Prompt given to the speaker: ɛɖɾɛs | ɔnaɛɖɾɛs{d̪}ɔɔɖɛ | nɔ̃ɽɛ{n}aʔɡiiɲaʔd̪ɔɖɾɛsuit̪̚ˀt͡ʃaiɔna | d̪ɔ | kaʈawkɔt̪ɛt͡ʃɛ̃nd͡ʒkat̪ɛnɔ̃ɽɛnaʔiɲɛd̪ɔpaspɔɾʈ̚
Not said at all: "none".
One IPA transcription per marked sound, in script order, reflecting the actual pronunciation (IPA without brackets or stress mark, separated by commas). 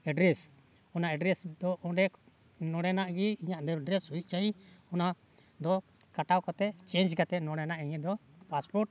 d̪, n